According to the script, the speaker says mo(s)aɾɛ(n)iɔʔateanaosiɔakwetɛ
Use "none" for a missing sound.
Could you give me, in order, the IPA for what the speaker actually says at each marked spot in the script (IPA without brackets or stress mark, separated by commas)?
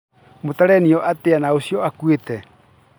t, n